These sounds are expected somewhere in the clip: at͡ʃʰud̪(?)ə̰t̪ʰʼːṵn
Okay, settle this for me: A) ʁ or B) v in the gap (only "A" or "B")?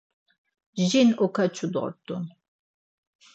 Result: A